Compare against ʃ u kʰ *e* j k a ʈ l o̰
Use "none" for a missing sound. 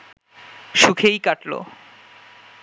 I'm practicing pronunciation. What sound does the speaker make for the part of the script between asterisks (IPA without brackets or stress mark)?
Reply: e